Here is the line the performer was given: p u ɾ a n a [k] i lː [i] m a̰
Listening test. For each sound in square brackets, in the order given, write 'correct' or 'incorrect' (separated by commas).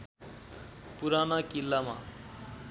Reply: correct, incorrect